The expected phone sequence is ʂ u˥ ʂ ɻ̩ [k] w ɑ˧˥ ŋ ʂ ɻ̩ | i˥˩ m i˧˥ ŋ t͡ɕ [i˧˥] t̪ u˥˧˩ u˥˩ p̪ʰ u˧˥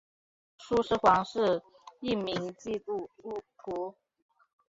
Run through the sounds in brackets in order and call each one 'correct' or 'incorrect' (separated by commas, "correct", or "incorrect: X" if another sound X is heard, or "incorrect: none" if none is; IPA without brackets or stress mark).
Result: incorrect: x, incorrect: i˥˧